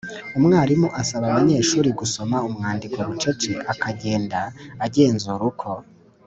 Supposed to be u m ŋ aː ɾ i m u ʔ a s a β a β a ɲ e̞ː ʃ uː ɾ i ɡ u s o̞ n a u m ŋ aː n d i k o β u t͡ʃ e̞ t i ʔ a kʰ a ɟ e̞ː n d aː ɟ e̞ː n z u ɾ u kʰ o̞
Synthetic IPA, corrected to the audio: u m ŋ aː ɾ i m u ʔ a s a β a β a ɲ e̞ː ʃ uː ɾ i ɡ u s o̞ m a u m ŋ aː n d i k o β u t͡ʃ e̞ t͡ʃ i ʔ a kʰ a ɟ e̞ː n d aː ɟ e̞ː n z u ɾ u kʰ o̞